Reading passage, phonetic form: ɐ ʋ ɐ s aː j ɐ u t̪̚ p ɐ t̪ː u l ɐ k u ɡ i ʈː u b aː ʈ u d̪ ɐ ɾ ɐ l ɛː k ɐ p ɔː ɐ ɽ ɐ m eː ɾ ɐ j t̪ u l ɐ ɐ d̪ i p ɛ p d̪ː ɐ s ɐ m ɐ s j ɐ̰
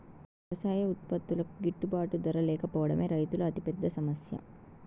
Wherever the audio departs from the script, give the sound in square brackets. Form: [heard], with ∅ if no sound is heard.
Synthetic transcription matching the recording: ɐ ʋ ɐ s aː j ɐ u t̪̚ p ɐ t̪ː u l ɐ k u ɡ i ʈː u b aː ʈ u d̪ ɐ ɾ ɐ l ɛː k ɐ p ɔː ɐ ɽ ɐ m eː ɾ ɐ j t̪ u l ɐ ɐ [t̪] i p ɛ [∅] d̪ː ɐ s ɐ m ɐ s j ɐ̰